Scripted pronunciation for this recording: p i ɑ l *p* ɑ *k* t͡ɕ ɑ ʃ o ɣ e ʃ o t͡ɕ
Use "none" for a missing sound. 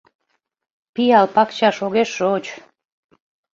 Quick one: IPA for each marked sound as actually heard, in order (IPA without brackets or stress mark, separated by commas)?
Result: p, k